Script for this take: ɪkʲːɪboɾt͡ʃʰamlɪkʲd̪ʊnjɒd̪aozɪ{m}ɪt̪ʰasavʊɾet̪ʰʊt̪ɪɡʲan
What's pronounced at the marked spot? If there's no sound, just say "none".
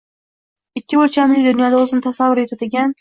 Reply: n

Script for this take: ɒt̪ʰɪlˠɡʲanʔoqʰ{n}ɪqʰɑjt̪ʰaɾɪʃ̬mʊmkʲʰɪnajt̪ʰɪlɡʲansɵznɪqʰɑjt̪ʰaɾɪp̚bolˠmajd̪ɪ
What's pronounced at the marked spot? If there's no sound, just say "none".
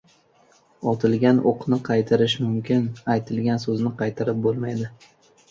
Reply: n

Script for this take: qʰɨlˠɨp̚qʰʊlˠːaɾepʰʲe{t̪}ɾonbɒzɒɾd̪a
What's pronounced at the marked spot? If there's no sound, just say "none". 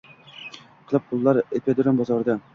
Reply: d̪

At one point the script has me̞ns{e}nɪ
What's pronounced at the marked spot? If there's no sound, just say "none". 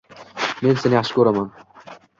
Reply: e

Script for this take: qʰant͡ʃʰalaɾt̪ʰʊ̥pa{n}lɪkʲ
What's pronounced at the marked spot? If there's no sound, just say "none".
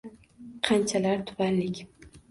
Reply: n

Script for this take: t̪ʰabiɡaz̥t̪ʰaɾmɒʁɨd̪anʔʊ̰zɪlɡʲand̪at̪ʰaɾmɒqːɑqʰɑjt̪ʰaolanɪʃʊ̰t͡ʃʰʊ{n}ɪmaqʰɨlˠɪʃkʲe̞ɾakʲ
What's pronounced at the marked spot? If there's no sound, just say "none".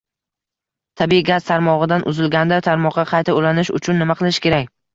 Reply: nː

